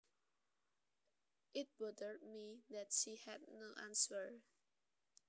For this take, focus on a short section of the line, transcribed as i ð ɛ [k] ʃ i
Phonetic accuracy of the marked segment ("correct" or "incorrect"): incorrect